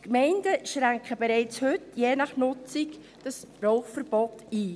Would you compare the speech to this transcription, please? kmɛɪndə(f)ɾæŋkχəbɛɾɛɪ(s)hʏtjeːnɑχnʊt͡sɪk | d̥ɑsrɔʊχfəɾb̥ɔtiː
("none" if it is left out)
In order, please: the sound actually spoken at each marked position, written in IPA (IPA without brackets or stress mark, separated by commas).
ʃ, t͡s